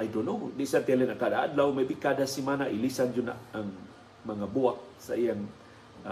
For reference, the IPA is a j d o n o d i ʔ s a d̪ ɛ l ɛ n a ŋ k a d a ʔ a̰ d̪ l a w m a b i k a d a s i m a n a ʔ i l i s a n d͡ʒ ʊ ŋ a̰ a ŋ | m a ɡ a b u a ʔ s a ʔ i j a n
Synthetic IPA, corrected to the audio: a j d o n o d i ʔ s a t̪ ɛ l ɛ n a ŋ k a d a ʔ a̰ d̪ l a w m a b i k a d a s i m a n a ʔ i l i s a n d͡ʒ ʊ n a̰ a ŋ | m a ŋ a b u a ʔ s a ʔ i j a ŋ